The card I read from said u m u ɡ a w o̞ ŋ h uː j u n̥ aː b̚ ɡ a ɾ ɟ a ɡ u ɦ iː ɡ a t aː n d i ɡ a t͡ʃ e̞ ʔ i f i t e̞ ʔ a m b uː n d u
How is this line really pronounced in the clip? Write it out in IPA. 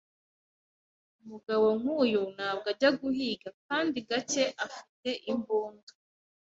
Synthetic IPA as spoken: u m u ɡ a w o̞ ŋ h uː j u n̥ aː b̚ ɡ a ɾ ɟ a ɡ u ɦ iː ɡ a k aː n d i ɡ a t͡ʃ e̞ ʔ a f i t e̞ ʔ i m b uː n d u